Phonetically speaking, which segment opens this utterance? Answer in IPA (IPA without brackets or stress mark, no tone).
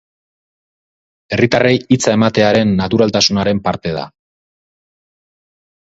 e̞